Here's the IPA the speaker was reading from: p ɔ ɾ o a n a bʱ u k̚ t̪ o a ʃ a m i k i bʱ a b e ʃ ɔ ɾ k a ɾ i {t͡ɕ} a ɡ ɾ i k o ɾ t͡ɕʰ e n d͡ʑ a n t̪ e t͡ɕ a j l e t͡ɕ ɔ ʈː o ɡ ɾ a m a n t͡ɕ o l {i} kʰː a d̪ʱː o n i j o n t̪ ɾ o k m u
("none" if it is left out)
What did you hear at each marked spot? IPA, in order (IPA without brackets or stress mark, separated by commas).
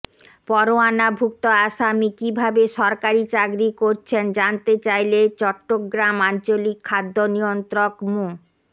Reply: t͡ɕ, i